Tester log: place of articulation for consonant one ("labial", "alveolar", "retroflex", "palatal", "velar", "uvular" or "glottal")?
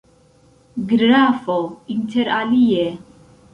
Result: velar